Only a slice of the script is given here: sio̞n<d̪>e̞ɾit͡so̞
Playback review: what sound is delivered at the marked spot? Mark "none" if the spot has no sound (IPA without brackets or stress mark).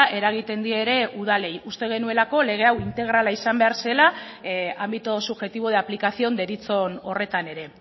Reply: d̪